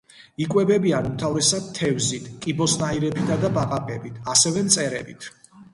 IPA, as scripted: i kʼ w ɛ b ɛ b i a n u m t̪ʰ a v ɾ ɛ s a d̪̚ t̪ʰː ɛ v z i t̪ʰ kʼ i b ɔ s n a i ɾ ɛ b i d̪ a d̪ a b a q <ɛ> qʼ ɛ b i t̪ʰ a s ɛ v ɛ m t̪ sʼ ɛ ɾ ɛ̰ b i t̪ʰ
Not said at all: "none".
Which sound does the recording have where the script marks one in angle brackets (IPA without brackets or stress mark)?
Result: a